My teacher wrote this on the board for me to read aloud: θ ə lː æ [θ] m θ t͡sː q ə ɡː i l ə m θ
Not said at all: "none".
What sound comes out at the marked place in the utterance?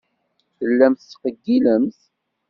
none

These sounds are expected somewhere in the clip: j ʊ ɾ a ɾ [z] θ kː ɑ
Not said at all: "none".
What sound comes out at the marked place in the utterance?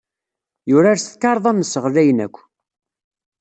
s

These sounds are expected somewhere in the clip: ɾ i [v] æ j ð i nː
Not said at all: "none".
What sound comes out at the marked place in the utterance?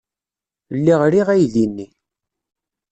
ʁ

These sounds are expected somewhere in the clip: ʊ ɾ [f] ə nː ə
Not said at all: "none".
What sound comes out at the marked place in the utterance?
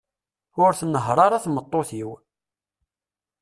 θ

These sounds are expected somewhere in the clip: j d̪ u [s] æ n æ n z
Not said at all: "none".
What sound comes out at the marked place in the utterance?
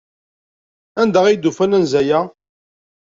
f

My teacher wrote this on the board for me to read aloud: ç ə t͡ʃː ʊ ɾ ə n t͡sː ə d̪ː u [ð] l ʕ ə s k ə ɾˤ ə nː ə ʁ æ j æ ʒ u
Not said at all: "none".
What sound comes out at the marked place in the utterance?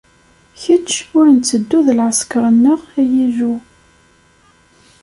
ð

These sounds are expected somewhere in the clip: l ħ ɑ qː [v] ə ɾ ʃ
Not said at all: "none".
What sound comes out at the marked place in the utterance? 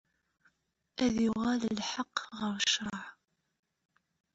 ʁ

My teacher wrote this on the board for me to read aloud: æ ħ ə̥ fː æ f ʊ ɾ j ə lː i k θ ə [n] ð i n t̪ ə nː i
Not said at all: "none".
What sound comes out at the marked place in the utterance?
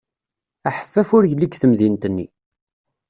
m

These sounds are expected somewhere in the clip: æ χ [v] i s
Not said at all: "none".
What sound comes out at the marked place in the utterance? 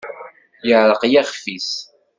f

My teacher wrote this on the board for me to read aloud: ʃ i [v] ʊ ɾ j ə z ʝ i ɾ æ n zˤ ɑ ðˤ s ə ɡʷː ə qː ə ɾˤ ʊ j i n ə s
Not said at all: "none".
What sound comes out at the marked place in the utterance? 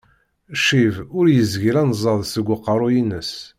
v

